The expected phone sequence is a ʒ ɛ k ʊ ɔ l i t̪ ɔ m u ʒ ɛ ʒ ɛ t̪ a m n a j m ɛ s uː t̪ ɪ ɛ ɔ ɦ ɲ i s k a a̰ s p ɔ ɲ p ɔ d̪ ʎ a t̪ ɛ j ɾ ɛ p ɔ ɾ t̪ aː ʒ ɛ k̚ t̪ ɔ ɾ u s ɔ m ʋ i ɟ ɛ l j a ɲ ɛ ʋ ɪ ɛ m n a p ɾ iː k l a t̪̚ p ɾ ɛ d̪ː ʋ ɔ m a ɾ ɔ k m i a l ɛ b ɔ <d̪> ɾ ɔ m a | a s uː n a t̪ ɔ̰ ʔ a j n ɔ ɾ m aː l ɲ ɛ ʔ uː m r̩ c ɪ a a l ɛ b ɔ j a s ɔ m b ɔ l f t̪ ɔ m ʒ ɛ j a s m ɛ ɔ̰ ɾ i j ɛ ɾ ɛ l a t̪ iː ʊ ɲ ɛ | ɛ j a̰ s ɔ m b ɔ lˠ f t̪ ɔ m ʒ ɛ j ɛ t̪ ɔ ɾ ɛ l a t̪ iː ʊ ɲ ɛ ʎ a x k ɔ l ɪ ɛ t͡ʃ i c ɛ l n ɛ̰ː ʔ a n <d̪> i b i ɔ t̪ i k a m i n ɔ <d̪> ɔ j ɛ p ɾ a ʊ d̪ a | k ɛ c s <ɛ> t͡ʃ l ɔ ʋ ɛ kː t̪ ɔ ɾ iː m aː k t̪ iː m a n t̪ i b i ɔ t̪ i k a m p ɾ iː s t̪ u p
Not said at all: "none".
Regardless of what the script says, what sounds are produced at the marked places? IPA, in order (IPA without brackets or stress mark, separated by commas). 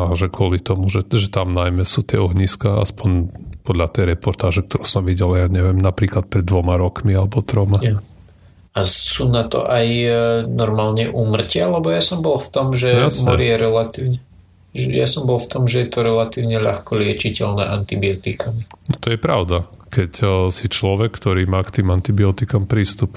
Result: t̪, t̪, t̪, i